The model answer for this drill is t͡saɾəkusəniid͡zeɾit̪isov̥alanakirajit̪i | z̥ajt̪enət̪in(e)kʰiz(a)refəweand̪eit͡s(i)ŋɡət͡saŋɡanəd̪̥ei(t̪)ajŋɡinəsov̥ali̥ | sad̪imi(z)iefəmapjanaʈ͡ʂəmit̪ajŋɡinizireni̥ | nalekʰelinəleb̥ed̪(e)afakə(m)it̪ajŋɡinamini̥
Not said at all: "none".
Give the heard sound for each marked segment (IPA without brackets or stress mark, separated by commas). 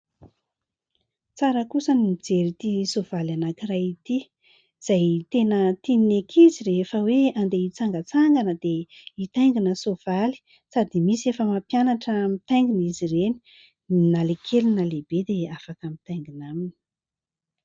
e, i, a, t̪, s, e, m